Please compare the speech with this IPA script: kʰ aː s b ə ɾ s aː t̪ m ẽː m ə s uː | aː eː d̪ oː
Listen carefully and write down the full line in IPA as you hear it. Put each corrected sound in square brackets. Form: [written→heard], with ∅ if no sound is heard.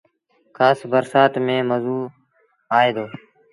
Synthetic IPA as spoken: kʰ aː s b ə ɾ s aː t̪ m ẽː m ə [s→z] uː | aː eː d̪ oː